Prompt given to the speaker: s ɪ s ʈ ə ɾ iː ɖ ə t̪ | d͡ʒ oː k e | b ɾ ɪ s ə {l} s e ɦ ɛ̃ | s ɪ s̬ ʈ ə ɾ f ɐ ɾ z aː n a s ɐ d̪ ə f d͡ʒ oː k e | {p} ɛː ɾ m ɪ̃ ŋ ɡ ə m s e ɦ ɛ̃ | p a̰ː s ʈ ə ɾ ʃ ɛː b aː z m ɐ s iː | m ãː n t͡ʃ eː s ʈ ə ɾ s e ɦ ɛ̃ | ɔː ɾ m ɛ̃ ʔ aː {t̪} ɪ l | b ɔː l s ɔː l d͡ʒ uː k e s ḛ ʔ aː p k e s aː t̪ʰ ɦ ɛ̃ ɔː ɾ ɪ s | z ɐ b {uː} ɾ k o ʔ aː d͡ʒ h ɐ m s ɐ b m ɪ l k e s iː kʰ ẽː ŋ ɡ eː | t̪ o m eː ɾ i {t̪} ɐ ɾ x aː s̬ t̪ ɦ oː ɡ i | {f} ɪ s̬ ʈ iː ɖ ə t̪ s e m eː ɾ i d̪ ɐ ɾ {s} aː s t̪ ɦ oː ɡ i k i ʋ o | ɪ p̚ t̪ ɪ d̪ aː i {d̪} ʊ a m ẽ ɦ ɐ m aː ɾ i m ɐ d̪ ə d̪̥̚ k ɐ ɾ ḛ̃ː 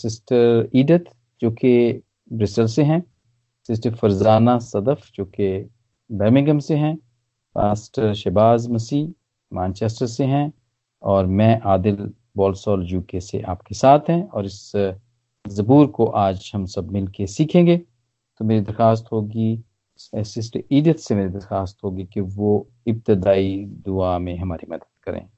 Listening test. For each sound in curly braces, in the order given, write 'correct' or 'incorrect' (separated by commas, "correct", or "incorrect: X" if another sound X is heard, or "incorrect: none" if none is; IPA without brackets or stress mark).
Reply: correct, incorrect: b, incorrect: d̪, correct, incorrect: d̪, incorrect: s, incorrect: x, correct